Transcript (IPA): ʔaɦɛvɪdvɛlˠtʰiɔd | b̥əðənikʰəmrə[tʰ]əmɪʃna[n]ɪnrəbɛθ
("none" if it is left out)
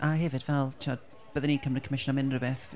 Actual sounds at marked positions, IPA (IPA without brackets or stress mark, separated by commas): kʰ, m